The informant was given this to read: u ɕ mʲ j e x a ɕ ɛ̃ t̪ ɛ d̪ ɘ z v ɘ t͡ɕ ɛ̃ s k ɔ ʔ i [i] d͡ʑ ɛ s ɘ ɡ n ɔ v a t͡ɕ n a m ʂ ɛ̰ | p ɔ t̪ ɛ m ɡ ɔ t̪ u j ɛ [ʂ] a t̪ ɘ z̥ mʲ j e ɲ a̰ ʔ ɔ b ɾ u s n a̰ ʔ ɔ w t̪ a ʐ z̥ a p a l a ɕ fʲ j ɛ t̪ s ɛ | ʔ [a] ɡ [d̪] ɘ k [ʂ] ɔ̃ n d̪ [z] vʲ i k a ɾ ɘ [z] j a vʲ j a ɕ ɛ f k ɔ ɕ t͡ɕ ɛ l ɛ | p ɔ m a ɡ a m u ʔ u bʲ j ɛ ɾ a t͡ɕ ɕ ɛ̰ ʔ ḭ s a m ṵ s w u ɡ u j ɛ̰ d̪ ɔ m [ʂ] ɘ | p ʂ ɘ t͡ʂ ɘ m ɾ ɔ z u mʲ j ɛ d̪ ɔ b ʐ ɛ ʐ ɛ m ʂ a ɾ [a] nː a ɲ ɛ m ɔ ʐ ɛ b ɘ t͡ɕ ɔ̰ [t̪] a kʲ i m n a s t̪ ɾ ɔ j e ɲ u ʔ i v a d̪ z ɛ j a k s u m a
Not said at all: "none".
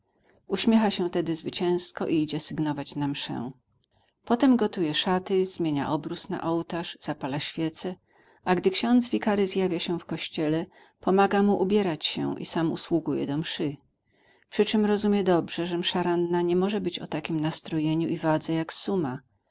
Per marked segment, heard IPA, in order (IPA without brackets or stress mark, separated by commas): i, ʂ, a, d̪, ɕ, z, z, ʂ, a, t̪